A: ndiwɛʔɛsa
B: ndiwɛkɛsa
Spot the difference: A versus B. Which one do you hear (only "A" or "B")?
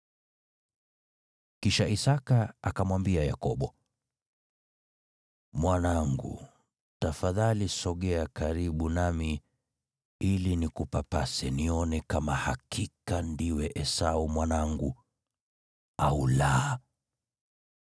A